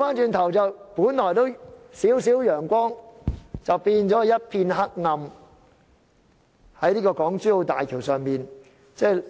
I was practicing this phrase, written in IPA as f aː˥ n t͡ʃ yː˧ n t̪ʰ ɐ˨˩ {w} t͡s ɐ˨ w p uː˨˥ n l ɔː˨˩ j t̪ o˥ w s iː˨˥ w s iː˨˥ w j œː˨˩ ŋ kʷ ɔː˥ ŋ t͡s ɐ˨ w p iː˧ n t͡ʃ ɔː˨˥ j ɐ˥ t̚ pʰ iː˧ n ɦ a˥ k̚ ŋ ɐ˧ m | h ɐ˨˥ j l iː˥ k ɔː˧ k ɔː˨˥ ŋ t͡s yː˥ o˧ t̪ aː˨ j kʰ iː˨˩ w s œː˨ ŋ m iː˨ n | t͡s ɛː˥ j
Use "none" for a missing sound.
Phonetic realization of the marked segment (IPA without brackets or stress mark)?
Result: w